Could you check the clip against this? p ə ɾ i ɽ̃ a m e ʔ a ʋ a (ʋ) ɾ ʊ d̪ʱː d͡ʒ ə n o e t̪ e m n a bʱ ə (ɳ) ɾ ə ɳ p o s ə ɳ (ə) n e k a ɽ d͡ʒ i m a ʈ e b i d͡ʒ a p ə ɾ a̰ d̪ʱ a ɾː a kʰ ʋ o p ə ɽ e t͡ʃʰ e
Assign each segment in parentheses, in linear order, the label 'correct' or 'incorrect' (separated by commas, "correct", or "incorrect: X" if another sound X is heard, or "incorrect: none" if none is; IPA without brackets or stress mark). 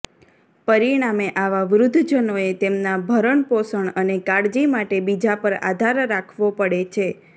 correct, incorrect: none, correct